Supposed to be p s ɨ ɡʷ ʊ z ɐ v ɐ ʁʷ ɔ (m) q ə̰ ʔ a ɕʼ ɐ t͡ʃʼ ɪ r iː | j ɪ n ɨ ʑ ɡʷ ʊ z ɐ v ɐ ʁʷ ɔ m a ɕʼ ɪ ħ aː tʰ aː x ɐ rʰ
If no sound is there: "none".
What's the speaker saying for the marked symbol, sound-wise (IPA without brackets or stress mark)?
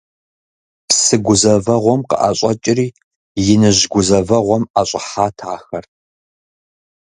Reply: m